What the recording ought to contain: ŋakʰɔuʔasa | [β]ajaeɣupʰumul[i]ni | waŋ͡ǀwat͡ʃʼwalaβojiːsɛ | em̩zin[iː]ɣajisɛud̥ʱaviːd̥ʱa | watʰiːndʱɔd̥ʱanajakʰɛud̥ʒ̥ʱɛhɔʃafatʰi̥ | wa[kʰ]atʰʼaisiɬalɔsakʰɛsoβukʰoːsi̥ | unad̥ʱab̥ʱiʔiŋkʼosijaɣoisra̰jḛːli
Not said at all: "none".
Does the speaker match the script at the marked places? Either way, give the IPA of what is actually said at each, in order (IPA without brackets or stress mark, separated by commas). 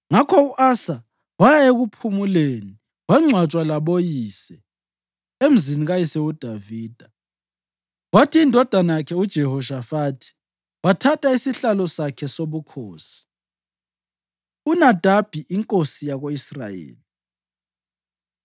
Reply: w, e, i, tʰ